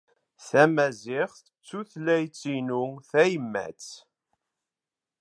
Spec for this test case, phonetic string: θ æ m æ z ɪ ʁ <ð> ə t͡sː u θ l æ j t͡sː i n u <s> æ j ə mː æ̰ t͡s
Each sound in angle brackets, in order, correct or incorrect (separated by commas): incorrect, incorrect